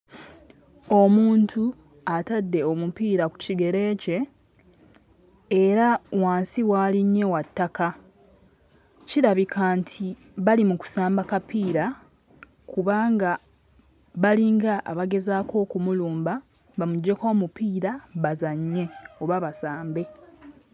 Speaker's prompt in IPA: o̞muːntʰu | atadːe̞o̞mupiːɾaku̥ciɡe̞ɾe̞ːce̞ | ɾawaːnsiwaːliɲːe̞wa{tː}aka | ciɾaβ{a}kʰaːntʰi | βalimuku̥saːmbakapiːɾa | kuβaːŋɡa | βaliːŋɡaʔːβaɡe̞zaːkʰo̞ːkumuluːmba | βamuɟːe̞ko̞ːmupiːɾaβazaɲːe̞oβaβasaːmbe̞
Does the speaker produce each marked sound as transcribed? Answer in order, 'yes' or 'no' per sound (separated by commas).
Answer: yes, no